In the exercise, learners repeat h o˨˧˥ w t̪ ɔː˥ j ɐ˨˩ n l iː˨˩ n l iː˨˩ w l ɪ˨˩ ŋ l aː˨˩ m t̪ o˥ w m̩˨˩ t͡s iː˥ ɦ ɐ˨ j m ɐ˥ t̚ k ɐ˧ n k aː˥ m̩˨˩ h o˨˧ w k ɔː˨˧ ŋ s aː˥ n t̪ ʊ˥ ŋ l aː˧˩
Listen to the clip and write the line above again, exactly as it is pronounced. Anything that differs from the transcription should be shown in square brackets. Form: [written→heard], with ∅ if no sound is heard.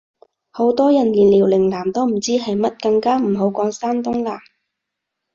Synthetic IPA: h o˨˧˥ w t̪ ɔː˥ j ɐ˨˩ n l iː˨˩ n l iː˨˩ w l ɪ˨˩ ŋ l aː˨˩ m t̪ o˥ w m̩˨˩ t͡s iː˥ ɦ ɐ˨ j m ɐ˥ t̚ k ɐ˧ [n→ŋ] k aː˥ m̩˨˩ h o˨˧ w k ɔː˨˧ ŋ s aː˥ n t̪ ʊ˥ ŋ l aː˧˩